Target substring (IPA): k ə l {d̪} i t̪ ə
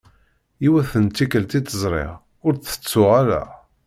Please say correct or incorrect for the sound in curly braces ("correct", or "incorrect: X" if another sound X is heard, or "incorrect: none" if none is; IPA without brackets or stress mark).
incorrect: t̪